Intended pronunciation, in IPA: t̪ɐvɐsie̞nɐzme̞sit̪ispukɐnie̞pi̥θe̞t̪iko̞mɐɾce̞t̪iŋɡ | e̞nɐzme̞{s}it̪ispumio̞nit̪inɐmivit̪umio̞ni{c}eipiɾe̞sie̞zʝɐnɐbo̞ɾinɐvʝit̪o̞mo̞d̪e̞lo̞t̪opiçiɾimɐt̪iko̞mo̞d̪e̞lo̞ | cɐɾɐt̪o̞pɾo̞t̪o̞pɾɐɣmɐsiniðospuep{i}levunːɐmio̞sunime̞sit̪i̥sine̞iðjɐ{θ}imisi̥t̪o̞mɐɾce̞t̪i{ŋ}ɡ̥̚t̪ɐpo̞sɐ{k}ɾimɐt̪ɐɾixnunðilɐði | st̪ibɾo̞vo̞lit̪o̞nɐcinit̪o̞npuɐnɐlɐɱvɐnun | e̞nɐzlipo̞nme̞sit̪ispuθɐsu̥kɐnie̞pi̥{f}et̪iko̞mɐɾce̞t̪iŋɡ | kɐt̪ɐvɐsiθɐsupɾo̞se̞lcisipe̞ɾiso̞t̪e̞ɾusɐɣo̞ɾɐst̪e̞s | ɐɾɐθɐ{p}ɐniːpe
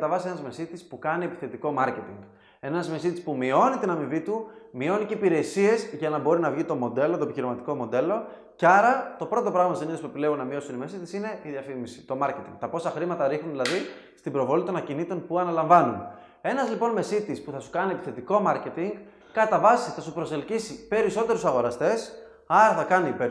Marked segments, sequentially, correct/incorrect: correct, correct, correct, incorrect, correct, incorrect, incorrect, incorrect

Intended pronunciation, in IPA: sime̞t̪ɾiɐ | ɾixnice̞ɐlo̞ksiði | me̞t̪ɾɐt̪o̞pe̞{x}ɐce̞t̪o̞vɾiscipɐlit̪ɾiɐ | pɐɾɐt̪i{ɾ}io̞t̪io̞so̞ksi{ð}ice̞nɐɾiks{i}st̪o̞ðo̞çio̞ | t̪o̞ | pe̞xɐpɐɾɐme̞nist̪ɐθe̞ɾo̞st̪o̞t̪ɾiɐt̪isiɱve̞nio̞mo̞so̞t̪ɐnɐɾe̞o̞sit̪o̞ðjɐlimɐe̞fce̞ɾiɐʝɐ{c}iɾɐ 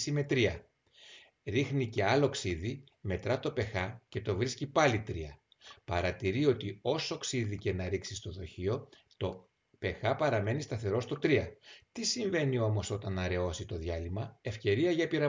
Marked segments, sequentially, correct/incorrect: correct, correct, correct, correct, incorrect

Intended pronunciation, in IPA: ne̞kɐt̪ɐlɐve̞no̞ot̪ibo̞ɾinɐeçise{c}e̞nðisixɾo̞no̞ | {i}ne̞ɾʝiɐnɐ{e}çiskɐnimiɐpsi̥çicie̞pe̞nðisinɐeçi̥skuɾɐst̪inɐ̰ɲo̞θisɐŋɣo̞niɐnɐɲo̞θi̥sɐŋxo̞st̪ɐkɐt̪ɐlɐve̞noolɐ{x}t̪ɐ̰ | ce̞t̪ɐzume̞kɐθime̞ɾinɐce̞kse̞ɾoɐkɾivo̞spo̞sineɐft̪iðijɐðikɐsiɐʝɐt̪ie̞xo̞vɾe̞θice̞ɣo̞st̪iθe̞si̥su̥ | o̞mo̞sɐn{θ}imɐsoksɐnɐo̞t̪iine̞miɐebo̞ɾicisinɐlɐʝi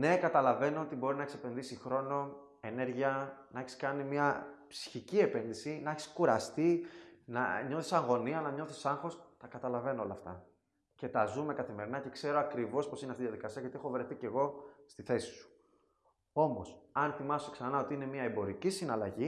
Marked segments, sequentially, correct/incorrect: incorrect, incorrect, correct, incorrect, correct

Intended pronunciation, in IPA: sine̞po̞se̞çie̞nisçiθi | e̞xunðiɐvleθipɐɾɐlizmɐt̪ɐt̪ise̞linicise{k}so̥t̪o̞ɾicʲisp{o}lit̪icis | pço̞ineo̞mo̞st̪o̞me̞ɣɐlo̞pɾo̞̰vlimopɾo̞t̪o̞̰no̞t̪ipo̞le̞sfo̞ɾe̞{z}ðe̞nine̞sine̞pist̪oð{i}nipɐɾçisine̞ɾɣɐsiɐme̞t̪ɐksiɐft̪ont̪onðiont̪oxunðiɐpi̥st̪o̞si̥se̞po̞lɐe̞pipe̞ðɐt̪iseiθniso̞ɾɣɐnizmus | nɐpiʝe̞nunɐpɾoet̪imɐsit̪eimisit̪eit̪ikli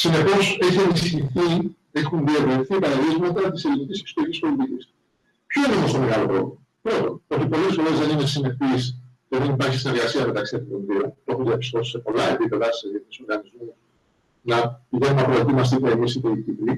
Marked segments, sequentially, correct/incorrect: correct, correct, correct, incorrect

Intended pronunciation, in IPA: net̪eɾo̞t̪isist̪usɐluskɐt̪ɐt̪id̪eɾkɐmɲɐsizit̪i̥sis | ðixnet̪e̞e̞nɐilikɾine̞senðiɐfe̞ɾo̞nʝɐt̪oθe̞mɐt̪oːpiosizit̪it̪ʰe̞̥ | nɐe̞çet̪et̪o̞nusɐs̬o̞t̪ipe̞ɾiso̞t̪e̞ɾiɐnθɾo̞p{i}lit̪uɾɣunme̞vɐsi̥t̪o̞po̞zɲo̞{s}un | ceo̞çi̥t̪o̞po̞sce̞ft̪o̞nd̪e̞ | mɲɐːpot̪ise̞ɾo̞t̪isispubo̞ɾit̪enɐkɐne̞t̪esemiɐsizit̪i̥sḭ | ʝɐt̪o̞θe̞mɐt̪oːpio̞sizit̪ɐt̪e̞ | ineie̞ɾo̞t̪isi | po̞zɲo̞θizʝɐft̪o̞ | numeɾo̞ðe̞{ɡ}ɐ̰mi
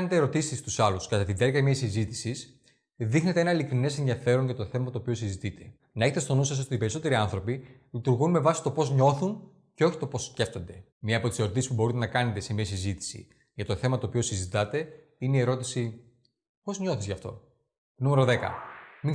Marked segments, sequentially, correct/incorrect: correct, incorrect, incorrect

